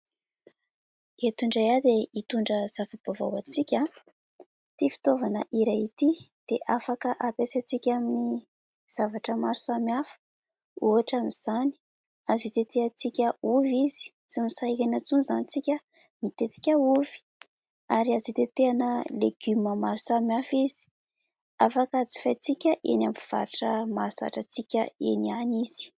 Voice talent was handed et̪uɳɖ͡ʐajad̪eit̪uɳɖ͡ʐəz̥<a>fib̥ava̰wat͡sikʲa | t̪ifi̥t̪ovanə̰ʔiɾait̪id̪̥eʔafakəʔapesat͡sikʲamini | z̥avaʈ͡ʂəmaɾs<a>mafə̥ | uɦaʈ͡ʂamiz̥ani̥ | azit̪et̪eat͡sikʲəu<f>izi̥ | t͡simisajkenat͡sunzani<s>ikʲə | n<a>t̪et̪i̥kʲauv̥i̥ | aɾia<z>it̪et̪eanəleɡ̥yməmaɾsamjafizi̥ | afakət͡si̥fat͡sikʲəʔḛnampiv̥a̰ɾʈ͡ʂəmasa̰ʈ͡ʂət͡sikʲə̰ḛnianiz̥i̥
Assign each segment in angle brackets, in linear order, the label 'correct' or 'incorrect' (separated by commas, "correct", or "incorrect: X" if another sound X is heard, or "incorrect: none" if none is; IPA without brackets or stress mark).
correct, correct, incorrect: v, incorrect: t͡s, incorrect: i, correct